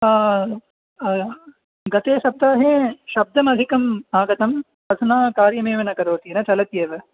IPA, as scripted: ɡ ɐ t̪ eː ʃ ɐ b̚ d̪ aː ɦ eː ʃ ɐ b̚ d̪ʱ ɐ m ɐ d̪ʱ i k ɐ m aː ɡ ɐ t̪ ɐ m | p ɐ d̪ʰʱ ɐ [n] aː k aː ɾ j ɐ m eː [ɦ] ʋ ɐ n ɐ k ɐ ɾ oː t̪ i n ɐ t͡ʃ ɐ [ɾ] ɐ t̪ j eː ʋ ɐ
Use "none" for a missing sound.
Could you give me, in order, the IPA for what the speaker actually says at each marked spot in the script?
n, none, l

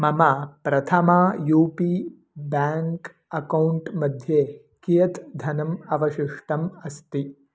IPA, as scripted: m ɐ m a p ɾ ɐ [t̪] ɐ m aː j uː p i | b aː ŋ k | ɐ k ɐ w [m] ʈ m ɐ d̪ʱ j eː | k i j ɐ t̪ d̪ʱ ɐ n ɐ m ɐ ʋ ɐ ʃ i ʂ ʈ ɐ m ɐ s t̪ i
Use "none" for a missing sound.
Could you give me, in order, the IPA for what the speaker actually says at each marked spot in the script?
t̪ʰ, ɳ

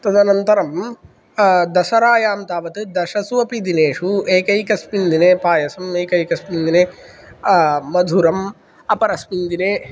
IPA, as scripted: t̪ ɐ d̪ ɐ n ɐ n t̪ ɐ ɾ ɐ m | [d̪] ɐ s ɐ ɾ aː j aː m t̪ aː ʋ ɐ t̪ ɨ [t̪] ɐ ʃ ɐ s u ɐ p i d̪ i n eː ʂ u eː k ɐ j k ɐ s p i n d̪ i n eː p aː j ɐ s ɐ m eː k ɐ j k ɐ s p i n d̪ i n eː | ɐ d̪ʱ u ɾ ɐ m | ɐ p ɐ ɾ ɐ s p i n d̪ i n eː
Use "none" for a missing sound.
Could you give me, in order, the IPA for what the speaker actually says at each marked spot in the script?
d̪, d̪

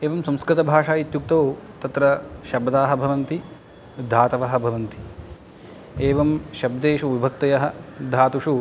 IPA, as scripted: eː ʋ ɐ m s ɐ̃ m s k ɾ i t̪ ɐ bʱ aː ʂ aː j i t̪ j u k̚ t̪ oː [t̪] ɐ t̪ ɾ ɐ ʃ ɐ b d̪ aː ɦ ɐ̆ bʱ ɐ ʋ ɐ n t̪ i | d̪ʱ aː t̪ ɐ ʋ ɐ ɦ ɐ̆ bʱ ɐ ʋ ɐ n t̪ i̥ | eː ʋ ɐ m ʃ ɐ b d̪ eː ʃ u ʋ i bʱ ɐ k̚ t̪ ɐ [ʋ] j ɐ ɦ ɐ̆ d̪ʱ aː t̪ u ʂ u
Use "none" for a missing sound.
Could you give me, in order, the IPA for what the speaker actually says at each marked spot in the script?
t̪, none

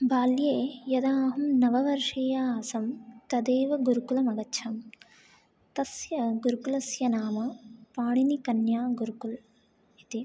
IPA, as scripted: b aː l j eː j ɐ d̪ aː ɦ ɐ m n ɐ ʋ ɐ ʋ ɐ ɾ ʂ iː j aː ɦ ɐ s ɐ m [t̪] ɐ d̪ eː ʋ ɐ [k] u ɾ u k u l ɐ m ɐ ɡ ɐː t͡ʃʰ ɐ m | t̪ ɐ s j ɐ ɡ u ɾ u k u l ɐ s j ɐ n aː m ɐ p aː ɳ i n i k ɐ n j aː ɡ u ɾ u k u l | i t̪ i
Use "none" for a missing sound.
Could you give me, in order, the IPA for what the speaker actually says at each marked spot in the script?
t̪, ɡ

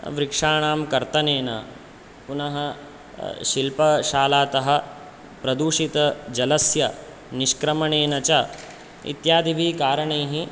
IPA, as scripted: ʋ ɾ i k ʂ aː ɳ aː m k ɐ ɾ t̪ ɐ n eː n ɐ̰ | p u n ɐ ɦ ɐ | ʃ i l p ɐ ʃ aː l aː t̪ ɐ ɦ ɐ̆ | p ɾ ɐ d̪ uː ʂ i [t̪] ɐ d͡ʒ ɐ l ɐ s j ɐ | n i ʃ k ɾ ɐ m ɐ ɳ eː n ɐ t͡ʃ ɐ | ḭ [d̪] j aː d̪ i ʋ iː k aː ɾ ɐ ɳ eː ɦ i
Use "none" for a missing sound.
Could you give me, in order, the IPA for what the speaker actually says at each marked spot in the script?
t̪, t̪

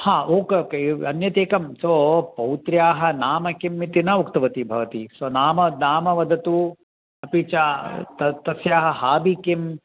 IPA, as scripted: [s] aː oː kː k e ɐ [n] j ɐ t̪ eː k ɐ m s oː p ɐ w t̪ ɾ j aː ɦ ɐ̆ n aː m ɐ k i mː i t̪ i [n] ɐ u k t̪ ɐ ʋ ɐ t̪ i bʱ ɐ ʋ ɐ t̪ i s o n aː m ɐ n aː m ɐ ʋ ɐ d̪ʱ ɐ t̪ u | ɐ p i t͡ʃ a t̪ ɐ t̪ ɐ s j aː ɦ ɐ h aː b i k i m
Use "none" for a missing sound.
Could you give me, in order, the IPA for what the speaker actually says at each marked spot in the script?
h, n, n

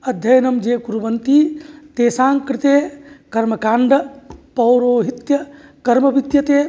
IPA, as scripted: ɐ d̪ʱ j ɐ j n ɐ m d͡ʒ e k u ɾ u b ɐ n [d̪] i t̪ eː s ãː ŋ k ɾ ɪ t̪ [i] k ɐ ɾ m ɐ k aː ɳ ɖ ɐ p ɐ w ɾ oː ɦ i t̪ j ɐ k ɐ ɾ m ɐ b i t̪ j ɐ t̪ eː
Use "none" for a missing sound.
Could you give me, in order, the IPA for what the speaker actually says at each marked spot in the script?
t̪, e

